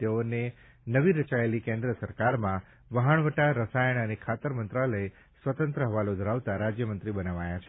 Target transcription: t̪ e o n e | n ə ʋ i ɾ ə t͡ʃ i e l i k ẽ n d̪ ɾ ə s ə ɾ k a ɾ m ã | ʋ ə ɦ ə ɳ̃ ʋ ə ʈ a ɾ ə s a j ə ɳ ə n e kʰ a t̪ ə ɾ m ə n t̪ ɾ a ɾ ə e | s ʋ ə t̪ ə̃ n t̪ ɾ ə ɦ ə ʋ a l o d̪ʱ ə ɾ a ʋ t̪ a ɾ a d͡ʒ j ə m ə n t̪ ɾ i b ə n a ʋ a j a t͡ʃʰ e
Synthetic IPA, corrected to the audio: t̪ e o n e | n ə ʋ i ɾ ə t͡ʃ a e l i k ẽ n d̪ ɾ ə s ə ɾ k a ɾ m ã | ʋ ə ɦ ə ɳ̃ ʋ ə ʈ a ɾ ə s a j ə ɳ ə n e kʰ a t̪ ə ɾ m ə n t̪ ɾ a l ə e | s ʋ ə t̪ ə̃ n t̪ ɾ ə ɦ ə ʋ a l o d̪ʱ ə ɾ a ʋ t̪ a ɾ a d͡ʒ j ə m ə n t̪ ɾ i b ə n a ʋ a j a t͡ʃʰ e